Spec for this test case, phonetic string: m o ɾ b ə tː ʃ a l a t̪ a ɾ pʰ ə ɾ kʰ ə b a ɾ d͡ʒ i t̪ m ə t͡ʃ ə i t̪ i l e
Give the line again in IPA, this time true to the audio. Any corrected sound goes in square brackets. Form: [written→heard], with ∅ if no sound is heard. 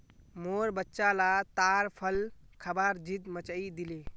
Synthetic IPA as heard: m o ɾ b ə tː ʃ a l a t̪ a ɾ pʰ ə [ɾ→l] kʰ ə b a ɾ d͡ʒ i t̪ m ə t͡ʃ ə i [t̪→d̪] i l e